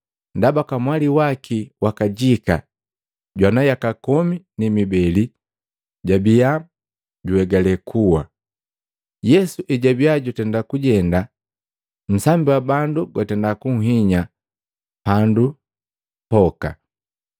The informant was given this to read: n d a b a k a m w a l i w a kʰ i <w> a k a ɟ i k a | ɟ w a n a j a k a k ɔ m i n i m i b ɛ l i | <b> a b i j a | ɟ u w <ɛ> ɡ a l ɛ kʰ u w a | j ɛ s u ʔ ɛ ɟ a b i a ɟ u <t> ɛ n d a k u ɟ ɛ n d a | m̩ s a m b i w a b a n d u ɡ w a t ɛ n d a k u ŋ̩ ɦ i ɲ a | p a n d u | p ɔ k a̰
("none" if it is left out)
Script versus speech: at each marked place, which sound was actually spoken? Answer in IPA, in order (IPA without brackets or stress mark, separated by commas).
w, ɟ, ɛ, t